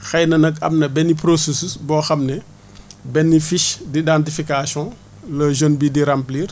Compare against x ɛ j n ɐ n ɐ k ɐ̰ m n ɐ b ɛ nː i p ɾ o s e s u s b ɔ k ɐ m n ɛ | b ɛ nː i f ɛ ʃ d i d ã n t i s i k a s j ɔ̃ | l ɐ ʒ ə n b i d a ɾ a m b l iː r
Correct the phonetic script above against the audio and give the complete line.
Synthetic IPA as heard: x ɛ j n ɐ n ɐ k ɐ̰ m n ɐ b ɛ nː i p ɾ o s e s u s b ɔ x ɐ m n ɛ | b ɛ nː i f i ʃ d i d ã n t i f i k a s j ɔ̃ | l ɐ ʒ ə n b i d i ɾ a m p l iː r